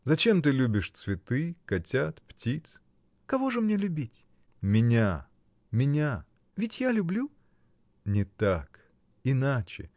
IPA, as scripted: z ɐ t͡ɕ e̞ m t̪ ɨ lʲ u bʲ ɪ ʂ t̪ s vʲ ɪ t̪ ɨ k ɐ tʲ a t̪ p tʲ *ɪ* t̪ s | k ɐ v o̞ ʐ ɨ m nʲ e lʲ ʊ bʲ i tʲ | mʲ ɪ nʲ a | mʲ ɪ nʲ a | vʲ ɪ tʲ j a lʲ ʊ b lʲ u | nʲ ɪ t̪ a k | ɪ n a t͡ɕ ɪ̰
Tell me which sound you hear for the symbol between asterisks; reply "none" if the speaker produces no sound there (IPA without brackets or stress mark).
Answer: i